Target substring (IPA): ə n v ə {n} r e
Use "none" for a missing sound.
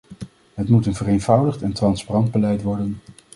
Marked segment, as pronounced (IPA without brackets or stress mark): none